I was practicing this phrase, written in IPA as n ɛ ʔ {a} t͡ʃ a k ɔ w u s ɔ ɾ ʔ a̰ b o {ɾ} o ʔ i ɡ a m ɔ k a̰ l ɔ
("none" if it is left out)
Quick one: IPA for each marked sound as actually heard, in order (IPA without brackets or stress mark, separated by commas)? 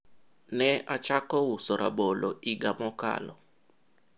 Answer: a, l